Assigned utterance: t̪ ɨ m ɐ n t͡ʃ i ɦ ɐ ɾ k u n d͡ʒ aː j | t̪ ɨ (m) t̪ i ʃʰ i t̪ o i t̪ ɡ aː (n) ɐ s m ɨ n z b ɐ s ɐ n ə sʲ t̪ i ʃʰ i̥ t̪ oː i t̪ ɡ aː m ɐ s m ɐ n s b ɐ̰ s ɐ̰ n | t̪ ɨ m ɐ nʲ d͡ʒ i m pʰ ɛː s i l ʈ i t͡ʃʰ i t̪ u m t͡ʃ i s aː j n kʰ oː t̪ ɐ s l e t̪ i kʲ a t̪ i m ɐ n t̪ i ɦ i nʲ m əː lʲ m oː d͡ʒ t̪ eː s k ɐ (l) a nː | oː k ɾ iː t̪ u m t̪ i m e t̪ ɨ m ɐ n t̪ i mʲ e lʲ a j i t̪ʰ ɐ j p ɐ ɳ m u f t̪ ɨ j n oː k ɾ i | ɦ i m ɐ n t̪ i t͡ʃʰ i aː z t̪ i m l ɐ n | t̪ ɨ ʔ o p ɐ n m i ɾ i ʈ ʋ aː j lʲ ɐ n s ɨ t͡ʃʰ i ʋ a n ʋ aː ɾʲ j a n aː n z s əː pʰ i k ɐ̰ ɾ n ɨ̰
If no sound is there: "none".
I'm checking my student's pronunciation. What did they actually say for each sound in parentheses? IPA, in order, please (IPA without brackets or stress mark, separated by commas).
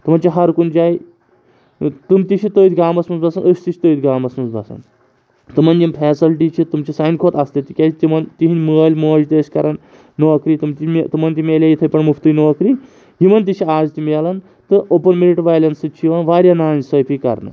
m, m, ɾ